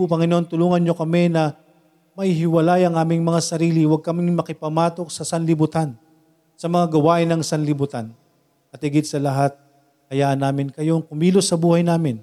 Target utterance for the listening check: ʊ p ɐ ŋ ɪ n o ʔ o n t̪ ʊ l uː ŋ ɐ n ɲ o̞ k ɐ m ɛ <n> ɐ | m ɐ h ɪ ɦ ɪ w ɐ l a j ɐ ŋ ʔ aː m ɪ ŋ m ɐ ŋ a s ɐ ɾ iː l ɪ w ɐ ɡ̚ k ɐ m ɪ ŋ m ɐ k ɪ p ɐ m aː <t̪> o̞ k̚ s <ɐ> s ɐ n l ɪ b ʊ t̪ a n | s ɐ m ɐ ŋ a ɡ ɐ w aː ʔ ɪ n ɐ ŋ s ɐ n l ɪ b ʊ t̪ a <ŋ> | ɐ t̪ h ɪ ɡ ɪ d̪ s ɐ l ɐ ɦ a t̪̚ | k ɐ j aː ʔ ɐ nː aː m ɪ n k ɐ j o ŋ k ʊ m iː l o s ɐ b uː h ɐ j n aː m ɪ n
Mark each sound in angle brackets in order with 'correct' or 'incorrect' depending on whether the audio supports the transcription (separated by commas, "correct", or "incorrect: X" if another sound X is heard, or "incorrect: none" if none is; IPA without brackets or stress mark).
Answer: correct, correct, correct, incorrect: n